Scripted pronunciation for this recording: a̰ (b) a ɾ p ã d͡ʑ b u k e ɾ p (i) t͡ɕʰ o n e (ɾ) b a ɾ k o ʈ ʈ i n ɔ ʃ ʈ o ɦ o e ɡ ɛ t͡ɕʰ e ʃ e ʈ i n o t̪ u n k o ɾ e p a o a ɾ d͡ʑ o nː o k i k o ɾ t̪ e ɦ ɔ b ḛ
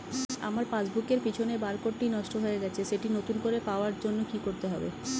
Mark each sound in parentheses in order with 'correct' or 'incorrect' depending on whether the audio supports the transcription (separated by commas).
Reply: incorrect, correct, incorrect